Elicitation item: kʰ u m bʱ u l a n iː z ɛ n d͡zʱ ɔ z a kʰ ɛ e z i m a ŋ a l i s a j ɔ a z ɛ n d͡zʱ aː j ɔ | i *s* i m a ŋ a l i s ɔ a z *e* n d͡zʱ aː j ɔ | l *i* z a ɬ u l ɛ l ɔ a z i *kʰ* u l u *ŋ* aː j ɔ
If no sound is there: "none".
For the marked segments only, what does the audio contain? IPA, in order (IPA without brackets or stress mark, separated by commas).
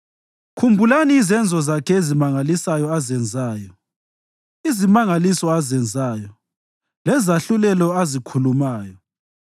z, ɛ, ɛ, kʰ, m